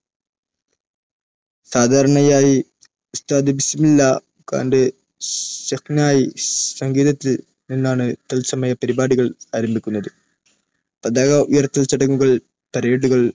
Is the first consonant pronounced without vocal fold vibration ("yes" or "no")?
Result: yes